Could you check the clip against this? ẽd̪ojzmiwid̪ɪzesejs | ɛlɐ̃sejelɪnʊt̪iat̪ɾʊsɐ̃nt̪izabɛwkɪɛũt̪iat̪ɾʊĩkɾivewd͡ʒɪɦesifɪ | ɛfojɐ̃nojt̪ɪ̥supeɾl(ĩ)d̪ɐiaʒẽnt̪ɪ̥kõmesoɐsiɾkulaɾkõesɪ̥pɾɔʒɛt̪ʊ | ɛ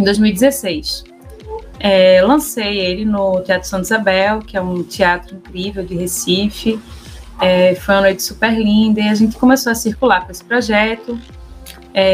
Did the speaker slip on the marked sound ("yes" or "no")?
no